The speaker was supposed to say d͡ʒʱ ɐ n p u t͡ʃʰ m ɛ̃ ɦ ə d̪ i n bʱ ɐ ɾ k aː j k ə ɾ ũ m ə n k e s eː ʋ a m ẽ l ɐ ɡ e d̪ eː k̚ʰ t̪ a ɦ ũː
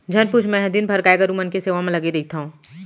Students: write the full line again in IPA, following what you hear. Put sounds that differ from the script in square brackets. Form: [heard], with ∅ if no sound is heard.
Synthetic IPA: d͡ʒʱ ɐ n p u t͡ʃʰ m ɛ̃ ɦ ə d̪ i n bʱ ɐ ɾ k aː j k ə ɾ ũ m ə n k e s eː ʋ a m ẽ l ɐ ɡ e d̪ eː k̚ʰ t̪ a ɦ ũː